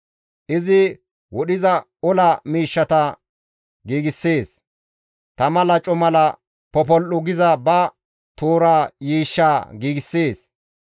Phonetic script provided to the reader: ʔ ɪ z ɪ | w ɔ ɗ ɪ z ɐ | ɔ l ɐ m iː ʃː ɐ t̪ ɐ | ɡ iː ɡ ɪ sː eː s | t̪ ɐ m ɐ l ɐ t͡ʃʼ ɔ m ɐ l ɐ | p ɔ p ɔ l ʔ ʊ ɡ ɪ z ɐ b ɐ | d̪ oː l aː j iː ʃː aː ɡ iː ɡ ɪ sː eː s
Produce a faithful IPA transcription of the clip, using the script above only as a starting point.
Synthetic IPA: ʔ ɪ z ɪ | w ɔ ɗ ɪ z ɐ | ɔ l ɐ m iː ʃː ɐ t̪ ɐ | ɡ iː ɡ ɪ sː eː s | t̪ ɐ m ɐ l ɐ t͡ʃʼ ɔ m ɐ l ɐ | p ɔ p ɔ l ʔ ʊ ɡ ɪ z ɐ b ɐ | t̪ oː ɾ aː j iː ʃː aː ɡ iː ɡ ɪ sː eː s